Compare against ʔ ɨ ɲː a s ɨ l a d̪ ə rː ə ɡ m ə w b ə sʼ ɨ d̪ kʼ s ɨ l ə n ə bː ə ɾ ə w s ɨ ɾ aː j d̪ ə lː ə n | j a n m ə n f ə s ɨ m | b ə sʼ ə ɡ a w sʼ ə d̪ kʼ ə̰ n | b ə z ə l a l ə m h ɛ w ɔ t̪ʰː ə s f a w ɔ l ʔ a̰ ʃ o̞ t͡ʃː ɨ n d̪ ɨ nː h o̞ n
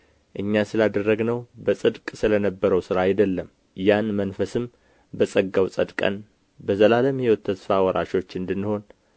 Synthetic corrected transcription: ʔ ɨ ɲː a s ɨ l a d̪ ə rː ə ɡ n ə w b ə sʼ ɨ d̪ kʼ s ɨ l ə n ə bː ə ɾ ə w s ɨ ɾ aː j d̪ ə lː ə m | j a n m ə n f ə s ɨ m | b ə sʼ ə ɡ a w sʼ ə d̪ kʼ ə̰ n | b ə z ə l a l ə m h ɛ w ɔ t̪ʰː ə s f a w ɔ ɾ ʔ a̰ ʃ o̞ t͡ʃː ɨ n d̪ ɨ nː h o̞ n